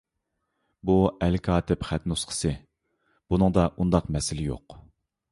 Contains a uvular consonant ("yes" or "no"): yes